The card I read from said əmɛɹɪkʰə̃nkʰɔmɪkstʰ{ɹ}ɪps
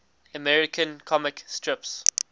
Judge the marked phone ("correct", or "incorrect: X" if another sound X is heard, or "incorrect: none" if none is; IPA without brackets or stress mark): correct